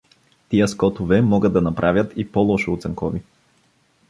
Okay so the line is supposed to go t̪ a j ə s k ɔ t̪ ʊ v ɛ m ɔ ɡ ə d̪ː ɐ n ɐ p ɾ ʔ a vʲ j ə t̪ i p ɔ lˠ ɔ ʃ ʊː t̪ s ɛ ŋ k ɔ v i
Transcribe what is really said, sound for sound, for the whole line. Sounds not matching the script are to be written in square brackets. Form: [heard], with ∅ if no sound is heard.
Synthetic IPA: t̪ [i] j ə s k ɔ t̪ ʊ v ɛ m ɔ ɡ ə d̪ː ɐ n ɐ p ɾ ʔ a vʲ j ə t̪ i p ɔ lˠ ɔ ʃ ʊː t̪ s ɛ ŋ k ɔ v i